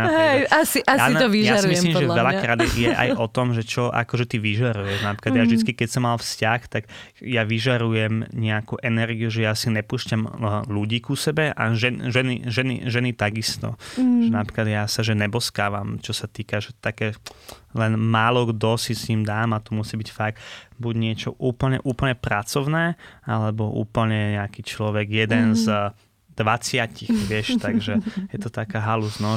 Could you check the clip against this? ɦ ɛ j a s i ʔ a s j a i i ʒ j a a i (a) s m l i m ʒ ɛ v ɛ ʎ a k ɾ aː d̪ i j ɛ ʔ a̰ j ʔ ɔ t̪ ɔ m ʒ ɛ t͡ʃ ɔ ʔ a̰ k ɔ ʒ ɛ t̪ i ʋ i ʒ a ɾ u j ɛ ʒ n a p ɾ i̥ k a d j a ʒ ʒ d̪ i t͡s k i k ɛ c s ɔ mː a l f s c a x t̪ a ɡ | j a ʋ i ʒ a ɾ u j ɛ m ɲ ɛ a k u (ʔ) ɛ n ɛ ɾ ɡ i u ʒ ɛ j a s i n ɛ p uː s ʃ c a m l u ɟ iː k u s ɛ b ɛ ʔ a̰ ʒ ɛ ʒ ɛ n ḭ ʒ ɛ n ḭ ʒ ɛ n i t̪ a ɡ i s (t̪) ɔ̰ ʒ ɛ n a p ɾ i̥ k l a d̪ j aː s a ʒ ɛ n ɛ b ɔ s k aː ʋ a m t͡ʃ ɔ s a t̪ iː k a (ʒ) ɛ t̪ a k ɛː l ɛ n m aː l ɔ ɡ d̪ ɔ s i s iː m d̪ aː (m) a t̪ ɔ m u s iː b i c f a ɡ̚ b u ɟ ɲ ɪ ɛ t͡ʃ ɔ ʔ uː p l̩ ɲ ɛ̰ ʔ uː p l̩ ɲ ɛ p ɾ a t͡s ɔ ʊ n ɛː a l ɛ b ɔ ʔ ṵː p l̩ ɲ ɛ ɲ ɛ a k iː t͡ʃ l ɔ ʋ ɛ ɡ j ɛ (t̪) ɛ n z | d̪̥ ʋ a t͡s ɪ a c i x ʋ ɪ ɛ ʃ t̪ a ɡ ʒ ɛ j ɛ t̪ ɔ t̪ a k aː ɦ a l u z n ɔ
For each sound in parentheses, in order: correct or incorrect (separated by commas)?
incorrect, correct, correct, correct, correct, incorrect